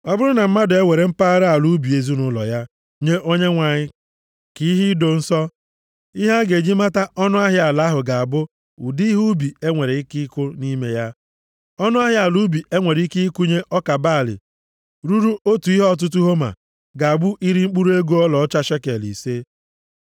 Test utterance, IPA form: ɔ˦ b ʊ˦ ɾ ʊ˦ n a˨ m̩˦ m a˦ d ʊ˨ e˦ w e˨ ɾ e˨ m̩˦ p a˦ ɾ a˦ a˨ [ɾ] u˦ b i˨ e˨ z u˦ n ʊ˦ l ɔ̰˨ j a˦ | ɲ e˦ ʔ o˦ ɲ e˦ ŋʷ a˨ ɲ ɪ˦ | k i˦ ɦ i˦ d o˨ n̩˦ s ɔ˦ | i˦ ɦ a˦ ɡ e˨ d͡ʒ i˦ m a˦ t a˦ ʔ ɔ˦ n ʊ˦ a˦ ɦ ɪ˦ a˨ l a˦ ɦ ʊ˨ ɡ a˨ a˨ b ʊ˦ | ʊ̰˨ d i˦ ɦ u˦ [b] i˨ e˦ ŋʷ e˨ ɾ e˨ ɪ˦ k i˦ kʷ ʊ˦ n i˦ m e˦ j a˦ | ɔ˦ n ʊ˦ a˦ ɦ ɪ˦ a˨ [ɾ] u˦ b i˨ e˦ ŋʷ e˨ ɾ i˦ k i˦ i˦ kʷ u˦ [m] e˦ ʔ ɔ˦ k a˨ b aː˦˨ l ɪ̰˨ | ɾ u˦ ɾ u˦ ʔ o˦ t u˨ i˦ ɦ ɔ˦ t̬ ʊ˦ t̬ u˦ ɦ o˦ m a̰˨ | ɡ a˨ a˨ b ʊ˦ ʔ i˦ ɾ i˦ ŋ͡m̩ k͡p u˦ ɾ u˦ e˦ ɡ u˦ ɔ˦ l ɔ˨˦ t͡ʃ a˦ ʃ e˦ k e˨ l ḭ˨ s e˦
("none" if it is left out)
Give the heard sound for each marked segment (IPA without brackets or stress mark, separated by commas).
l, b, l, ɲ